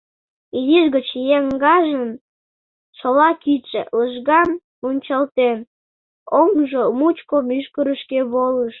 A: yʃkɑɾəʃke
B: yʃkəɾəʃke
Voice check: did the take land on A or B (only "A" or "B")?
B